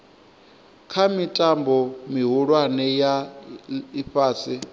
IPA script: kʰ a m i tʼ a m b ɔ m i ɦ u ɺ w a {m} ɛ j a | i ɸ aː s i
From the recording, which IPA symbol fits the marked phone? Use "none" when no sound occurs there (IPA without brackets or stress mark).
n